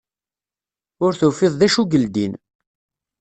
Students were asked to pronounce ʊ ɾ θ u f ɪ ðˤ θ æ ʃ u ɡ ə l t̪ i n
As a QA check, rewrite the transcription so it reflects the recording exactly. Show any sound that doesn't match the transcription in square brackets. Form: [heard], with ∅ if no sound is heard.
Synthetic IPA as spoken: ʊ ɾ θ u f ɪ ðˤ [ð] æ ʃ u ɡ ə l [d̪] i n